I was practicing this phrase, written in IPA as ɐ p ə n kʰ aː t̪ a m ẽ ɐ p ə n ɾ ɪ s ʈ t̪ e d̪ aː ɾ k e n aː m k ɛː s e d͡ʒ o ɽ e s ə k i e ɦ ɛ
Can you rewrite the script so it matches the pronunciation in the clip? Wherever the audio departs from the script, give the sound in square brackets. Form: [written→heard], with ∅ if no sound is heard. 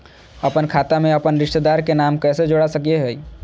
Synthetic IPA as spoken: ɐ p ə n kʰ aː t̪ a m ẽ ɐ p ə n ɾ ɪ [s→ʃ] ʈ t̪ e d̪ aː ɾ k e n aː m k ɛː s e d͡ʒ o ɽ [e→a] s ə k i e ɦ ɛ